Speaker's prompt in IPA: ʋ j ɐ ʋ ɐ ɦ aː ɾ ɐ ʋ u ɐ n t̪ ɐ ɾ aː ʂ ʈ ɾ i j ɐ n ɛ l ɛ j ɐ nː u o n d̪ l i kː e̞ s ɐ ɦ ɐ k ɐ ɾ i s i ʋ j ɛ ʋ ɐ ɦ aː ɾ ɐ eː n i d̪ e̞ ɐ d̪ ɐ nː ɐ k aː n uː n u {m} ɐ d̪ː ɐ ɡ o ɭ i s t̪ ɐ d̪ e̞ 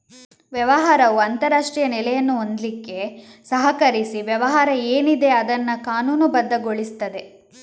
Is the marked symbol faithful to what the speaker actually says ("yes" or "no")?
no